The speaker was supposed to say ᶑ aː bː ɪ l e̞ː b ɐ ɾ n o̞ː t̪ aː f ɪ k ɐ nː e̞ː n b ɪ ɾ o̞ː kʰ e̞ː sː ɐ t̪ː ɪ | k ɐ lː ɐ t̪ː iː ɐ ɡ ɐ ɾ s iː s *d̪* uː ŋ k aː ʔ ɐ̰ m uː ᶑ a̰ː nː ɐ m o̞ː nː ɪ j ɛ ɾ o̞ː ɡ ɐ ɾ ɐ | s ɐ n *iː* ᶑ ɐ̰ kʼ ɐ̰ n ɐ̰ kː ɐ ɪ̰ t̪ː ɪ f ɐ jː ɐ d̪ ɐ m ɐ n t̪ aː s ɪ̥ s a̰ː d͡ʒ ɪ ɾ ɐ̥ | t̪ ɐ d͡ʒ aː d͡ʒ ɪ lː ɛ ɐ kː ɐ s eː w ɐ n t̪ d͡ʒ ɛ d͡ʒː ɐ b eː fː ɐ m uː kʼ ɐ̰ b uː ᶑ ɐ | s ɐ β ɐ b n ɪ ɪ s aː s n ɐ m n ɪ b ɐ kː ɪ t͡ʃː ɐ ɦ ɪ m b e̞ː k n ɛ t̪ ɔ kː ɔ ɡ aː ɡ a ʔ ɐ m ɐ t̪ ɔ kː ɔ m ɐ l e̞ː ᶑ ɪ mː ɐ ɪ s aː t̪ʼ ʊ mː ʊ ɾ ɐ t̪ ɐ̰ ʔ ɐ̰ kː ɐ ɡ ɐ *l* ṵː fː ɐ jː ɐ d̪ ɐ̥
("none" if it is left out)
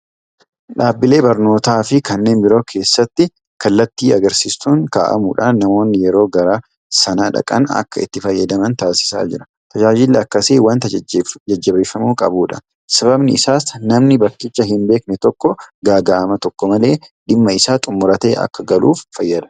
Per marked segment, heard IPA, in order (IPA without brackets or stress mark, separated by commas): t̪, aː, l